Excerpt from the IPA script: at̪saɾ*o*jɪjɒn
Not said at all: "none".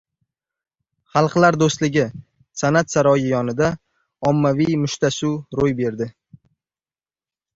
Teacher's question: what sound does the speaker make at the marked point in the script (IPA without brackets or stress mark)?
ɒ